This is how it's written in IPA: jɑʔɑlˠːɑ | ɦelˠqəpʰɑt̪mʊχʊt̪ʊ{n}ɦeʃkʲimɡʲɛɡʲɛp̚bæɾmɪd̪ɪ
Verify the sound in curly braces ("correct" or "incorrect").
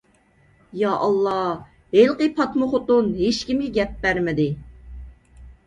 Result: correct